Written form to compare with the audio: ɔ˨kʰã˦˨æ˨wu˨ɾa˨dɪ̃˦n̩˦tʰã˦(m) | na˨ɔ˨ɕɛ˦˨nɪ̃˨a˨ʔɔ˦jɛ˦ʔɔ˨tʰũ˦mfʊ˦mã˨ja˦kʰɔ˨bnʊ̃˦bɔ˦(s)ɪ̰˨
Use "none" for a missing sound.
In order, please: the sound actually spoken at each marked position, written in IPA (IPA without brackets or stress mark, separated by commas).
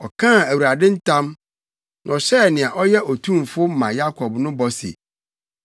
m, s